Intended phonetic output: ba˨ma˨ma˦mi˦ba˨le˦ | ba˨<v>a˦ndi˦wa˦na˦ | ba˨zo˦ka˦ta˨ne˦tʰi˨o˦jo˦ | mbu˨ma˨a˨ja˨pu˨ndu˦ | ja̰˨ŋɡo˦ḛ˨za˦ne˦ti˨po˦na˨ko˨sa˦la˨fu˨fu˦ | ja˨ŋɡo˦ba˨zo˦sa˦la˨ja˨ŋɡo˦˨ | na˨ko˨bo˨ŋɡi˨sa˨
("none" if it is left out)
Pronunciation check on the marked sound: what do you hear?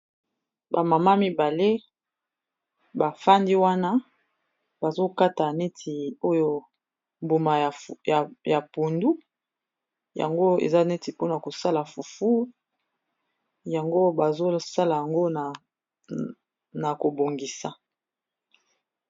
f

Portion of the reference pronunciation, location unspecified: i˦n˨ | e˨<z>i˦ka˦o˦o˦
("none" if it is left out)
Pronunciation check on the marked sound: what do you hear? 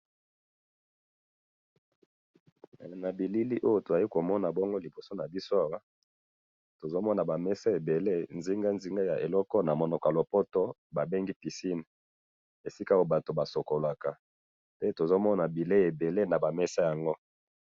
s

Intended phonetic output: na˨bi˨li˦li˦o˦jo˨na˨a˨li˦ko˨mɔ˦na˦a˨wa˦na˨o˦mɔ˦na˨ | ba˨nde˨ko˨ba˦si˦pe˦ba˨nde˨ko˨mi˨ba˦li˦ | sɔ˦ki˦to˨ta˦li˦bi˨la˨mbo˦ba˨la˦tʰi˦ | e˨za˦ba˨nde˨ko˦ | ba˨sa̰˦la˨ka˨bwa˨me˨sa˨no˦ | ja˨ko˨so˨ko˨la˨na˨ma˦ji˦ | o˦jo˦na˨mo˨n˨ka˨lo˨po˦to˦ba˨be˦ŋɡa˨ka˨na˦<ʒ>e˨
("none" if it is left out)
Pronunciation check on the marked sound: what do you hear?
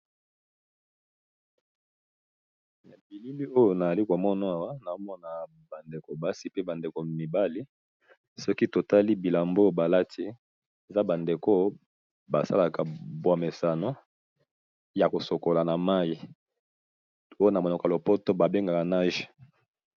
ʒ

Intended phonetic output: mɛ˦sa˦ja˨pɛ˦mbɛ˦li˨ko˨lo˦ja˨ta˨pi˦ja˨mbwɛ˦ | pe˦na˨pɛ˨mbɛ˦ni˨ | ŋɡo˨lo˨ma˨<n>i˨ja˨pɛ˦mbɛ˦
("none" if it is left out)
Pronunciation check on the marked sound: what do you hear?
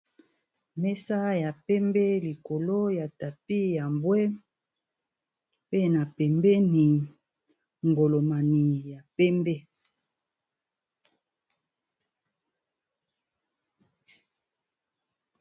n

